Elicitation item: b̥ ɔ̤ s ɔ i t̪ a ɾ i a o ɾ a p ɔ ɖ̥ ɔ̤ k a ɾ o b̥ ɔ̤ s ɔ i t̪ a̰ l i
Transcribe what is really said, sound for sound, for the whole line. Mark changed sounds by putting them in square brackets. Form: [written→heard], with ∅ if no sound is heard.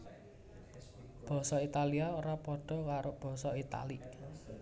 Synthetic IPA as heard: b̥ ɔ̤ s ɔ i t̪ a [ɾ→l] i a o ɾ a p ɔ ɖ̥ ɔ̤ k a ɾ o b̥ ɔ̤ s ɔ i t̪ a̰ l i